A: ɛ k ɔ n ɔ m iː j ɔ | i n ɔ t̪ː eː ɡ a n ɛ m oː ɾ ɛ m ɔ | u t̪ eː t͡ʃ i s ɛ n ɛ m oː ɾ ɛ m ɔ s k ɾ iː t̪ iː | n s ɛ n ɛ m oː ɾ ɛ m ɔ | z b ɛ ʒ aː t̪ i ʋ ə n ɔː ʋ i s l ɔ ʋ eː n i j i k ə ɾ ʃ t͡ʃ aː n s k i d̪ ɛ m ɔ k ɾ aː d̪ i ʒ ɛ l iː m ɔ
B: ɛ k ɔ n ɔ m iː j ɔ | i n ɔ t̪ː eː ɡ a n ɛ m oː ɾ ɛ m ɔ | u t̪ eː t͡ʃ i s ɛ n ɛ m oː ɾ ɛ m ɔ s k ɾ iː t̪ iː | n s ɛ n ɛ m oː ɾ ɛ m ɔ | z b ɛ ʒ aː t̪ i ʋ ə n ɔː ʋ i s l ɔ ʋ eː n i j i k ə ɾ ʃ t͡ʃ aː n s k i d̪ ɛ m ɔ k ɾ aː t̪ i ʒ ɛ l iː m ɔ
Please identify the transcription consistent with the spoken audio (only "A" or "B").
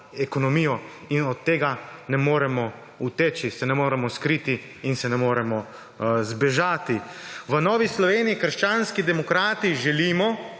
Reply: B